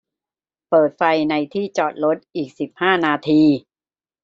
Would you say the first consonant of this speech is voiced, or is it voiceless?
voiceless